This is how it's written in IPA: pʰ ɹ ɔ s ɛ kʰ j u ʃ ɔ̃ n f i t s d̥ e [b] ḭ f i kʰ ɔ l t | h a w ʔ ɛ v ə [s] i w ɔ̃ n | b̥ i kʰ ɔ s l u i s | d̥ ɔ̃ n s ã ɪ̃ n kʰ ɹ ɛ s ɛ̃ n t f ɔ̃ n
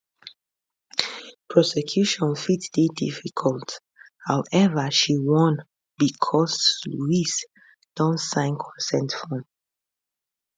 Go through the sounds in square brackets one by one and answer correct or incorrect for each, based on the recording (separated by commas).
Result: incorrect, incorrect